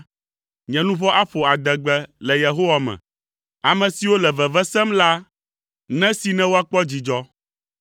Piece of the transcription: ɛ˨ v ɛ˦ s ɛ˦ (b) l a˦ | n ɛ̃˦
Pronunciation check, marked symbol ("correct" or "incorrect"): incorrect